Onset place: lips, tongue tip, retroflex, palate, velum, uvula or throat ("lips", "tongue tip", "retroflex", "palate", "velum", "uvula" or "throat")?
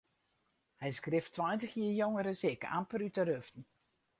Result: throat